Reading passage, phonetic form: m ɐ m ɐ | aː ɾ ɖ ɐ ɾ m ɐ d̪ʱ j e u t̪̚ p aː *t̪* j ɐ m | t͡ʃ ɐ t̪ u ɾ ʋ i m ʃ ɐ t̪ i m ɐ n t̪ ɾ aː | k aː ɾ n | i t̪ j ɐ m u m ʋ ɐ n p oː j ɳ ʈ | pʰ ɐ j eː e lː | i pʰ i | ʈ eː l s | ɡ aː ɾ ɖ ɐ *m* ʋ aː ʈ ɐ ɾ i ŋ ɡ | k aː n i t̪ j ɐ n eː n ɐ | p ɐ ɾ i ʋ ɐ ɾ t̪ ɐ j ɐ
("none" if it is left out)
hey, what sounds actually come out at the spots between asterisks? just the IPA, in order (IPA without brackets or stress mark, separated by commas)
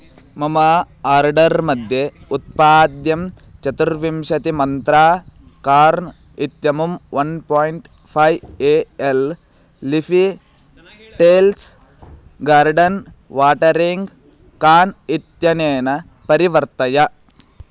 d̪, n